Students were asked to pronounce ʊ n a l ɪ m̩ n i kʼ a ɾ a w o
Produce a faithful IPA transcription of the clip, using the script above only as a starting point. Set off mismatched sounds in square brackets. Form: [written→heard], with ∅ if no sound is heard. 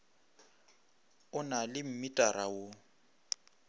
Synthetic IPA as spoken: ʊ n a l ɪ m̩ [n→m] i [kʼ→tʼ] a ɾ a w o